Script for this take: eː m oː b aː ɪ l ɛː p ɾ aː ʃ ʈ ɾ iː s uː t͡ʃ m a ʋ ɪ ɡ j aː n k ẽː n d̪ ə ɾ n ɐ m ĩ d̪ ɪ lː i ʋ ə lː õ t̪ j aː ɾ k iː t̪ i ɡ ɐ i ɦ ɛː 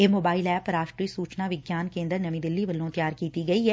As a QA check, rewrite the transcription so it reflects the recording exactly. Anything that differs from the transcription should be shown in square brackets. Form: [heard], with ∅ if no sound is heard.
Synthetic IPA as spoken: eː m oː b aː ɪ l ɛː p ɾ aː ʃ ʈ ɾ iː s uː t͡ʃ [n] a ʋ ɪ ɡ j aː n k ẽː n d̪ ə ɾ n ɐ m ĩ d̪ ɪ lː i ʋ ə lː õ t̪ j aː ɾ k iː t̪ i ɡ ɐ i ɦ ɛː